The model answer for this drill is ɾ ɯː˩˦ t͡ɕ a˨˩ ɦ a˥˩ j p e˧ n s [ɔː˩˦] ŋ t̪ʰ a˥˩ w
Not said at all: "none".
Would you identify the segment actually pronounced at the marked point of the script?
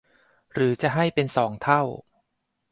ɔː˩˦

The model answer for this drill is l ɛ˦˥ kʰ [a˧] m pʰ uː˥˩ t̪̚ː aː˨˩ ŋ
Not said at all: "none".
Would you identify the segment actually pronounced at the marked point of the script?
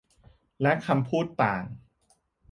a˧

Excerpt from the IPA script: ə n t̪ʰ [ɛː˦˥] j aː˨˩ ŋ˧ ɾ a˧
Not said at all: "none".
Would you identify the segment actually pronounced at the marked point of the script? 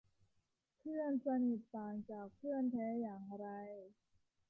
ɛː˦˥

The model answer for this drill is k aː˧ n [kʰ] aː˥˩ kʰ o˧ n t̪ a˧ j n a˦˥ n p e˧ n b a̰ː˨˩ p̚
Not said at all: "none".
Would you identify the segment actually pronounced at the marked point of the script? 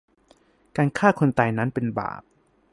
kʰ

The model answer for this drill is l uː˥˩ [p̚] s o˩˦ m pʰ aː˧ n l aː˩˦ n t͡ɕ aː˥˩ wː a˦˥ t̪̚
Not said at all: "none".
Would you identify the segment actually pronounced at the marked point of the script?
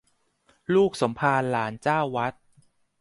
k̚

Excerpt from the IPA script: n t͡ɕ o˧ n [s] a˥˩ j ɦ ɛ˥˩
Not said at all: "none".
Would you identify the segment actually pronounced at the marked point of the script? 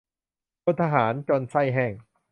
s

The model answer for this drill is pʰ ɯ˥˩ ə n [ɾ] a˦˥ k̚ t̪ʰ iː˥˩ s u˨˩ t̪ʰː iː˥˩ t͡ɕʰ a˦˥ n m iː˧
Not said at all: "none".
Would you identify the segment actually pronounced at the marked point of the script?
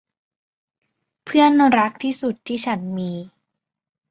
ɾ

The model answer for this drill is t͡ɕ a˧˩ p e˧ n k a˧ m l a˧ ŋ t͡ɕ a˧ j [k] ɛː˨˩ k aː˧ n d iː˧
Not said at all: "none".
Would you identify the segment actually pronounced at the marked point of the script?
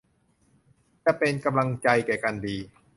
k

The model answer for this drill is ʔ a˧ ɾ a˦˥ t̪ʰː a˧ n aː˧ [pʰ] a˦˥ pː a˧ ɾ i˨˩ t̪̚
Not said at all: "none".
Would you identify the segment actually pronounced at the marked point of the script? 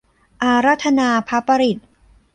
pʰ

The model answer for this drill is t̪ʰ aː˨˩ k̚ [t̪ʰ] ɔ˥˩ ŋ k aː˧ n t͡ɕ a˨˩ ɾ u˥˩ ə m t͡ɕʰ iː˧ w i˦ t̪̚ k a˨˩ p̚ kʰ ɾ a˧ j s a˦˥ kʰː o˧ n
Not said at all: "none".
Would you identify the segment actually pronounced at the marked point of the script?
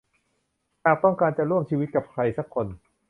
t̪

